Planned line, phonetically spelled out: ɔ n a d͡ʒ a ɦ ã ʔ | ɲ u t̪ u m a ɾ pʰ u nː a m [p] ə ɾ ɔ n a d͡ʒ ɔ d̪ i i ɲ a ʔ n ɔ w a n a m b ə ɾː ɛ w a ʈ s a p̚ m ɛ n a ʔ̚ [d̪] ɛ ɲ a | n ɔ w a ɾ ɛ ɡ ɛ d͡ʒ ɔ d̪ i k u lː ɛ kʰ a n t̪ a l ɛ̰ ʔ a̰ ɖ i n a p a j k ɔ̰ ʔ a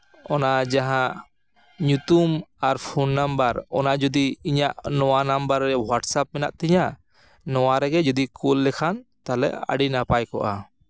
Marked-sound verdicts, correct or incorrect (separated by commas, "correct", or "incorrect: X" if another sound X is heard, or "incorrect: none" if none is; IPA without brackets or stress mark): incorrect: b, incorrect: t̪